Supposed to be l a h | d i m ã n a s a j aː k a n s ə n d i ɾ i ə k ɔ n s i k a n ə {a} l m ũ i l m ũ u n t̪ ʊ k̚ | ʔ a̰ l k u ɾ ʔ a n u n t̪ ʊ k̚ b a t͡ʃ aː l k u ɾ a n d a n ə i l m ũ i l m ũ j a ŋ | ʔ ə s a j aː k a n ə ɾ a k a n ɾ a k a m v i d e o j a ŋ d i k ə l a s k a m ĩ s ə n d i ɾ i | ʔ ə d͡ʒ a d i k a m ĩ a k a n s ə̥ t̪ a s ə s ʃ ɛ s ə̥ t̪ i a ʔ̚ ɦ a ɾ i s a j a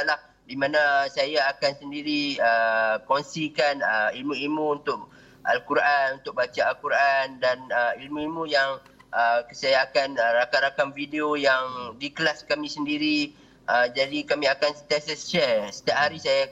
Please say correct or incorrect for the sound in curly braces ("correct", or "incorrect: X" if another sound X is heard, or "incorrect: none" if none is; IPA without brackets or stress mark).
incorrect: i